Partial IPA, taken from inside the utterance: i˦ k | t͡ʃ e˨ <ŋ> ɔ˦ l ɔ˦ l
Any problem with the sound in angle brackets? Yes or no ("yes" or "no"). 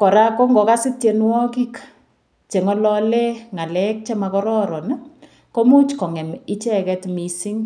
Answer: no